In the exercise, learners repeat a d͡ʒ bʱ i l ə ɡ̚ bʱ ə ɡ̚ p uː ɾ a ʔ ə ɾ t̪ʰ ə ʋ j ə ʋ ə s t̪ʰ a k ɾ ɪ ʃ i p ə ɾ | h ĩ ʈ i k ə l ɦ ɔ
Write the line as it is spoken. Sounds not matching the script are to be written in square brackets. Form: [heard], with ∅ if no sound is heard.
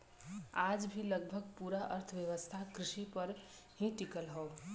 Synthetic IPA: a d͡ʒ bʱ i l ə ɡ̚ bʱ ə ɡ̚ p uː ɾ a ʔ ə ɾ t̪ʰ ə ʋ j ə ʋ ə s t̪ʰ a k ɾ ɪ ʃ i p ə ɾ | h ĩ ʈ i k ə l ɦ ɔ